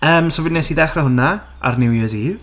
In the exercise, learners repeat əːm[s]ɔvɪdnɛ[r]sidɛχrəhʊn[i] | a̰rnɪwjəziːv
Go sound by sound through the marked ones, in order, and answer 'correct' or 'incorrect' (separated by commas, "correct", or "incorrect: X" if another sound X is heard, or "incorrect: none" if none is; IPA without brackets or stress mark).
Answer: correct, incorrect: none, incorrect: a